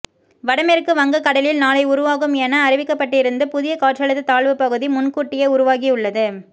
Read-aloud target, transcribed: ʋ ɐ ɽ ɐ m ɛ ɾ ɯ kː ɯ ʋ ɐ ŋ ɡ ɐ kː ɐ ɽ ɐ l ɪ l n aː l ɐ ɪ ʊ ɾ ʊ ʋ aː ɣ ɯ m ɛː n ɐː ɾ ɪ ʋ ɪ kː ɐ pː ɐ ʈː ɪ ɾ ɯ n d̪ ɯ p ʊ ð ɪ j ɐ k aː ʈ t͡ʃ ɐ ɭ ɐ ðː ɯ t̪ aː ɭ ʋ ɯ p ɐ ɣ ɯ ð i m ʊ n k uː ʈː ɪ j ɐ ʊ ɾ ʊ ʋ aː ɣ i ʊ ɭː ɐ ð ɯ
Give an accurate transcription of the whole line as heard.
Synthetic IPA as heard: ʋ ɐ ɽ ɐ m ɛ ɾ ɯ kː ɯ ʋ ɐ ŋ ɡ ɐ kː ɐ ɽ ɐ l ɪ l n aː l ɐ ɪ ʊ ɾ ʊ ʋ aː ɣ ɯ m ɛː n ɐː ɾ ɪ ʋ ɪ kː ɐ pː ɐ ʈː ɪ ɾ ɯ n d̪ ɯ p ʊ ð ɪ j ɐ k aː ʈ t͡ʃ ɐ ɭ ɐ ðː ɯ t̪ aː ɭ ʋ ɯ p ɐ ɣ ɯ ð i m ʊ n k uː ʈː ɪ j ɐ ʊ ɾ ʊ ʋ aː ɣ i ʊ ɭː ɐ ð ɯ